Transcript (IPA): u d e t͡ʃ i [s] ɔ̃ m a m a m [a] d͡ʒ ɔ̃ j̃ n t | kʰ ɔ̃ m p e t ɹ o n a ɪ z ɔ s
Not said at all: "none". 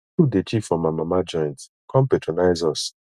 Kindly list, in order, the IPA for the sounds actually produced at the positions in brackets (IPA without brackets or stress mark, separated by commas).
f, a